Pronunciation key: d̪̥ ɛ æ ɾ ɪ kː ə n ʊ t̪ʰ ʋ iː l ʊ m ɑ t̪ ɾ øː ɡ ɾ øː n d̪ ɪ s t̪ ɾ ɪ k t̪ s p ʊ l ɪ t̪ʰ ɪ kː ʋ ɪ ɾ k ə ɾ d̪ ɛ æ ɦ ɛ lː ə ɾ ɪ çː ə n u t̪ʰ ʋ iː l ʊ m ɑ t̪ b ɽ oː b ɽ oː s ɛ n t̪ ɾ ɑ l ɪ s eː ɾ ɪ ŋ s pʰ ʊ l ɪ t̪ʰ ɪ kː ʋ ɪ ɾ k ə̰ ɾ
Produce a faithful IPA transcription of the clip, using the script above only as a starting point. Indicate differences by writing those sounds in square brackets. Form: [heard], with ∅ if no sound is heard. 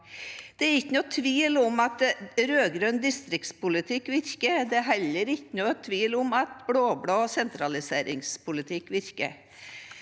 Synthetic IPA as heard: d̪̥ ɛ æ ɾ ɪ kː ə n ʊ t̪ʰ ʋ iː l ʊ m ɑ t̪ ɾ øː ɡ ɾ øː n d̪ ɪ s t̪ ɾ ɪ k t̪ s p ʊ l ɪ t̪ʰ ɪ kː ʋ ɪ ɾ k ə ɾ d̪ ɛ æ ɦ ɛ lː ə ɾ ɪ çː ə n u t̪ʰ ʋ iː l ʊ m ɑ t̪ b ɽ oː b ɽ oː s ɛ n t̪ ɾ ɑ l ɪ s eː ɾ ɪ ŋ s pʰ ʊ l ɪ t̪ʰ ɪ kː ʋ ɪ ɾ k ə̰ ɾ